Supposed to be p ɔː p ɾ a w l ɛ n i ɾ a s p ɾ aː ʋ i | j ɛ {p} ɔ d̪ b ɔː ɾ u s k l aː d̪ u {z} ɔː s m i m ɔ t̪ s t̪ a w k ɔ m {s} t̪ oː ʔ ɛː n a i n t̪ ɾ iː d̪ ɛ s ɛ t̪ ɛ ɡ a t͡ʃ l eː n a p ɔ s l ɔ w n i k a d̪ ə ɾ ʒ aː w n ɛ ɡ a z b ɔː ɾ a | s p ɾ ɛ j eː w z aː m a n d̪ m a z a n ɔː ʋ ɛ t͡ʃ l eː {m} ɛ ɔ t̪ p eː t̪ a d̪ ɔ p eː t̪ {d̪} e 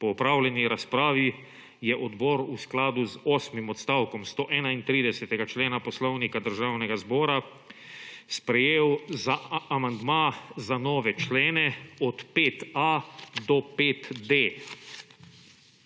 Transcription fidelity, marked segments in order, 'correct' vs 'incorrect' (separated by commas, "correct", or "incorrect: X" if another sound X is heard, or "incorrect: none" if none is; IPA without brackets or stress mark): incorrect: ʔ, correct, correct, incorrect: n, correct